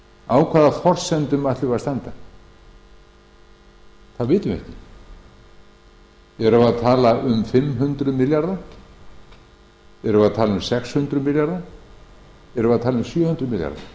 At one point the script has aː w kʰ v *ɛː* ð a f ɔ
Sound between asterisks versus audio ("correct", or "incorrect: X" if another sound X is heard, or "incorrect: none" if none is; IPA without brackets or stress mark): incorrect: aː